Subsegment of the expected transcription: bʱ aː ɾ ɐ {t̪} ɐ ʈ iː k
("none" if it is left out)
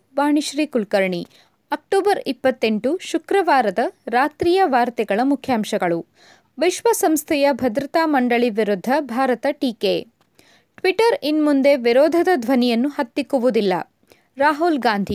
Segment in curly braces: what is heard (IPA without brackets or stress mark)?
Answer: t̪